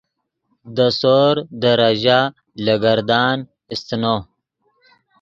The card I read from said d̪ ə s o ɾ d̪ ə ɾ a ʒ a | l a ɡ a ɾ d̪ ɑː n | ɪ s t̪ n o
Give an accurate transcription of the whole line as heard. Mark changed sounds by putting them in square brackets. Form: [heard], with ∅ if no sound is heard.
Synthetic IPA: d̪ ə s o ɾ d̪ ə ɾ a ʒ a | l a ɡ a ɾ d̪ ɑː n | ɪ s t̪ n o